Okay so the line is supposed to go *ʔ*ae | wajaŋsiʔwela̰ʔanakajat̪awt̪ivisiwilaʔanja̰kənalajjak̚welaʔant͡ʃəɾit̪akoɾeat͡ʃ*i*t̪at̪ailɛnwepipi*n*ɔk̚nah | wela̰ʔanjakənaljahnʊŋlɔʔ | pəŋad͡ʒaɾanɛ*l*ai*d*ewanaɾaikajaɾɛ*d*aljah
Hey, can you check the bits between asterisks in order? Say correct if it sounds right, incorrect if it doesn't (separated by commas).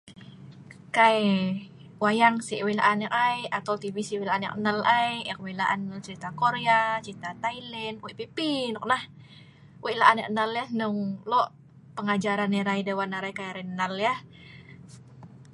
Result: incorrect, correct, correct, incorrect, correct, incorrect